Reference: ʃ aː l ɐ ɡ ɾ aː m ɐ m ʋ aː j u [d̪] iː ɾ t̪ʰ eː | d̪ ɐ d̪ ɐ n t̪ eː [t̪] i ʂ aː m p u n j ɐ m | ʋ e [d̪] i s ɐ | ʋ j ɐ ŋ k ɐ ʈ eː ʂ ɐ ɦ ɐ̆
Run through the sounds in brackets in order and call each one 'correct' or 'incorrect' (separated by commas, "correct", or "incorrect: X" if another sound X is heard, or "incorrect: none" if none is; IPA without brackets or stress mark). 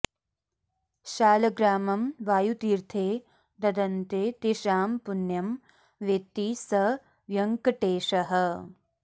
incorrect: t̪, correct, incorrect: t̪